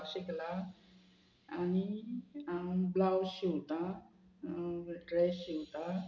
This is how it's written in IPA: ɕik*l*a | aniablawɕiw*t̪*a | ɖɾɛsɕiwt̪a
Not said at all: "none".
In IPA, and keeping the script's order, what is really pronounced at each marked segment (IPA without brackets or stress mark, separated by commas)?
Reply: l, t̪